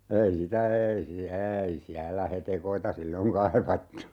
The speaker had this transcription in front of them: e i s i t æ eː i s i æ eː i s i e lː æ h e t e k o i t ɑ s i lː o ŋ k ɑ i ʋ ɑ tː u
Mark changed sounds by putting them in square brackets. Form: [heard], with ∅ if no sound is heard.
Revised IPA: e i s i t æ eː i s i æ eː i s i [æ] lː æ h e t e k o i t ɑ s i lː o ŋ k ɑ i ʋ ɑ tː u